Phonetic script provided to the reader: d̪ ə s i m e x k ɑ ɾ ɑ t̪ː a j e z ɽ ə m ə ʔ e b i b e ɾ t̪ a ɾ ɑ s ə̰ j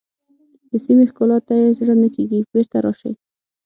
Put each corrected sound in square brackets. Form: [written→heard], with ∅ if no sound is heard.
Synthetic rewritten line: d̪ ə s i m e x k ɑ [ɾ→l] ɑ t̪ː a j e z ɽ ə [m→n] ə [ʔ→k] e [b→ɡ] i b e ɾ t̪ a ɾ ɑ [s→ʃ] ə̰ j